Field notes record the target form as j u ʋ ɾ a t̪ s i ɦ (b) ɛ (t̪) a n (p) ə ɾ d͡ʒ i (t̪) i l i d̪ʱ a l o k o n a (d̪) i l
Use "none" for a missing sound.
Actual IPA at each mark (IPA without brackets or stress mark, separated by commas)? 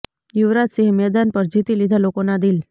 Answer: m, d̪, p, t̪, d̪